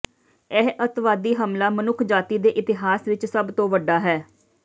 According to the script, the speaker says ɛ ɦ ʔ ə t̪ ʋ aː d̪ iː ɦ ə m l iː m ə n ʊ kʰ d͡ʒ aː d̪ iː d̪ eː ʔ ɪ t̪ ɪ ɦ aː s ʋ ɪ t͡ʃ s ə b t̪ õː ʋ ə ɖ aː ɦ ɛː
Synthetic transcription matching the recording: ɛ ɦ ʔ ə t̪ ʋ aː d̪ iː ɦ ə m l aː m ə n ʊ kʰ d͡ʒ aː t̪ iː d̪ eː ʔ ɪ t̪ ɪ ɦ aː s ʋ ɪ t͡ʃ s ə b t̪ õː ʋ ə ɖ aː ɦ ɛː